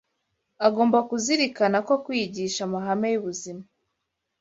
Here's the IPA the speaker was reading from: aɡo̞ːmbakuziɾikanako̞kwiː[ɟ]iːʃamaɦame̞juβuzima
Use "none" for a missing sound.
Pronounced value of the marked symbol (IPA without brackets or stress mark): ɟ